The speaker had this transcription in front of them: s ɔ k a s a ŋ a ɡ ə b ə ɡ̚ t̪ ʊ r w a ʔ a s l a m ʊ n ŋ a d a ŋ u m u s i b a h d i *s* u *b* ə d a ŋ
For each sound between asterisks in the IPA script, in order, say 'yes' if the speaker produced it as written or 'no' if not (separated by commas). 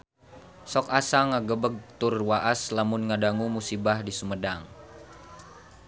yes, no